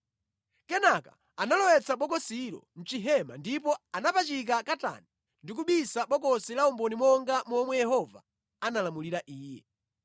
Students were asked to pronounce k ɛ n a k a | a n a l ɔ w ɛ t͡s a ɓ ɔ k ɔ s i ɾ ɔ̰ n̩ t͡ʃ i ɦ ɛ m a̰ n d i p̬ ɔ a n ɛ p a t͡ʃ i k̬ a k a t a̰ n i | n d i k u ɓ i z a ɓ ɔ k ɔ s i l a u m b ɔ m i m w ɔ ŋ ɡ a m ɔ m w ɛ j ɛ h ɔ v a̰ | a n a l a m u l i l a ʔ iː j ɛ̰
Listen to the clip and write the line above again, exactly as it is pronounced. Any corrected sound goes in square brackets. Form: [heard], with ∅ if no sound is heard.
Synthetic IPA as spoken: k ɛ n a k a | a n a l ɔ w ɛ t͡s a ɓ ɔ k ɔ s i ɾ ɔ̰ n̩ t͡ʃ i ɦ ɛ m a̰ n d i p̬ ɔ a n [a] p a t͡ʃ i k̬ a k a t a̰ n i | n d i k u ɓ i [s] a ɓ ɔ k ɔ s i l a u m b ɔ [n] i m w ɔ ŋ ɡ a m ɔ m w ɛ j ɛ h ɔ v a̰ | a n a l a m u l i [ɾ] a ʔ iː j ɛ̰